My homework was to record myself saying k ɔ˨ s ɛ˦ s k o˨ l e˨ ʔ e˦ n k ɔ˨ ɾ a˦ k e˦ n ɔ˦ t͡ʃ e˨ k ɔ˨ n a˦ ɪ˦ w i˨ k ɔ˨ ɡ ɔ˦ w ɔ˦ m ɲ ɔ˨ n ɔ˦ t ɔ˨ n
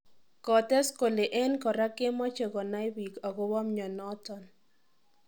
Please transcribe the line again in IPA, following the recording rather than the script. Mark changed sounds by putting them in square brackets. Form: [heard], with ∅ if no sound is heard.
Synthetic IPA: k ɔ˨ [t] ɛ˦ s k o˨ l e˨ ʔ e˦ n k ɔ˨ ɾ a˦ k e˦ [m] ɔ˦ t͡ʃ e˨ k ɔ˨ n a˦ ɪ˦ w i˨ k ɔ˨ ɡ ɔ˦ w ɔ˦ m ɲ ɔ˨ n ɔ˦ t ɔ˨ n

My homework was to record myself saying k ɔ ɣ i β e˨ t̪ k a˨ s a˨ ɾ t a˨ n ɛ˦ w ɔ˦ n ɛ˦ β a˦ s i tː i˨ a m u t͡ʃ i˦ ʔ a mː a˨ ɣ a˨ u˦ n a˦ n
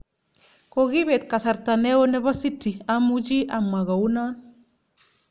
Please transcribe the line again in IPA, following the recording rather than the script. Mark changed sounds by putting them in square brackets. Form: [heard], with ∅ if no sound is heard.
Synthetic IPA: k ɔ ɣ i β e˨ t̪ k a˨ s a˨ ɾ t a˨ n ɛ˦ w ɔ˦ n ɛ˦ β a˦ s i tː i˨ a m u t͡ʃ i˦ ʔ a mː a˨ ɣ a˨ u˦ n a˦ n

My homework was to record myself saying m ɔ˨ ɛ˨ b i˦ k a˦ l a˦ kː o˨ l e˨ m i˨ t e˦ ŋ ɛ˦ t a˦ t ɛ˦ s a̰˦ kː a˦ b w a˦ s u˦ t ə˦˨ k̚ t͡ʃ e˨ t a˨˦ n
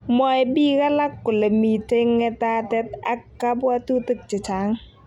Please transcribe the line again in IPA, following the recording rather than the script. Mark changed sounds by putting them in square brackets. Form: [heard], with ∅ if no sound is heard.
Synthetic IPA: m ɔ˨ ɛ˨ b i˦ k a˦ l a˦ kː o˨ l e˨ m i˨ t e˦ ŋ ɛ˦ t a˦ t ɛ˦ [t] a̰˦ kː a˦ b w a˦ [t] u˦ t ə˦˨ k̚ t͡ʃ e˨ [t͡ʃ] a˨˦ [ŋ]

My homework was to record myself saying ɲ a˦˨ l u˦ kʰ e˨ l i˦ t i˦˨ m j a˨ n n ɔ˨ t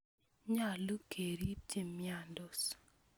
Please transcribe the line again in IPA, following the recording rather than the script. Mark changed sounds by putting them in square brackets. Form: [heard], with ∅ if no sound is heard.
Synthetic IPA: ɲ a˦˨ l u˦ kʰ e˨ [ɾ] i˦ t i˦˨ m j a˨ n [d] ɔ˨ [s]

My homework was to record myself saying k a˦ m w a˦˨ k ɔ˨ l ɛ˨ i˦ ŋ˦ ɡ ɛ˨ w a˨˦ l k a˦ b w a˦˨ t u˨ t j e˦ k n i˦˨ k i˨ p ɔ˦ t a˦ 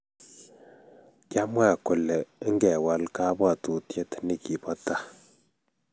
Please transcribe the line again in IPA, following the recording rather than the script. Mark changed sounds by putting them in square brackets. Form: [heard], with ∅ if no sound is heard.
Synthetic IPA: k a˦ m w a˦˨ k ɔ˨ l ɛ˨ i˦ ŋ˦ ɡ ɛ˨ w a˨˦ l k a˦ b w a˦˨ t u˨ t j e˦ [t] n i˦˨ k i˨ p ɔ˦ t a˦

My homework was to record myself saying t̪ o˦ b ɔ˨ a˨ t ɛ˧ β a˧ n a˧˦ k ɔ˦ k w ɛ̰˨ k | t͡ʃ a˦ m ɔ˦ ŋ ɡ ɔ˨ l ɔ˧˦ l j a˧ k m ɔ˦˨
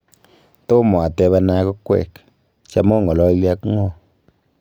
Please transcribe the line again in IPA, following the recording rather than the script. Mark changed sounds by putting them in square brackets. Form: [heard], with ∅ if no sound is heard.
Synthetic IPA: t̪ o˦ [m] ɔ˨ a˨ t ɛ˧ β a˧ n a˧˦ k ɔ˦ k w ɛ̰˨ k | t͡ʃ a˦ m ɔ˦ ŋ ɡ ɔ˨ l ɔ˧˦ l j a˧ k [ŋ] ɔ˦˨

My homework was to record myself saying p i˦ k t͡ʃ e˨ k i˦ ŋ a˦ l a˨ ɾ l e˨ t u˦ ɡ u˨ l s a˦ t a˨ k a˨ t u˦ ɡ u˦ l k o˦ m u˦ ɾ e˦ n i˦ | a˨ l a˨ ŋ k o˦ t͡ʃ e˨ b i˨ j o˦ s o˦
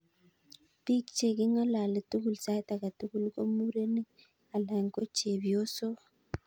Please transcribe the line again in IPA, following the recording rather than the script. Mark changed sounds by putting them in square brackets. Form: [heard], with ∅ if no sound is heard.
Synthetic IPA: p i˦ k t͡ʃ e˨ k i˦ ŋ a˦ l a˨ [∅] l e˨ t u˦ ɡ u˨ l s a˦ t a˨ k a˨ t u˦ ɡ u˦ l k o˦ m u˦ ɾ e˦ n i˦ | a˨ l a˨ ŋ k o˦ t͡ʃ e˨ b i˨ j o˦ s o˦

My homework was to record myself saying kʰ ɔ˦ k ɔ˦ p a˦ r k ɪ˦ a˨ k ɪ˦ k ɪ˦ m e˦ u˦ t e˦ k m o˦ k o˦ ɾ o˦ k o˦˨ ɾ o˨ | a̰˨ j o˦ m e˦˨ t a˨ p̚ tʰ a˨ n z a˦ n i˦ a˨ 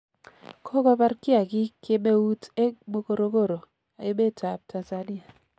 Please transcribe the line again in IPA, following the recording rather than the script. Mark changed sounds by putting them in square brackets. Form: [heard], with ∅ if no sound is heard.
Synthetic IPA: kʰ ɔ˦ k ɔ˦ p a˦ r k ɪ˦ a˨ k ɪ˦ k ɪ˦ m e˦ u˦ t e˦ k m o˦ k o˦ ɾ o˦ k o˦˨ ɾ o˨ | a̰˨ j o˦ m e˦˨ t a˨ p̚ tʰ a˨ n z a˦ n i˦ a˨

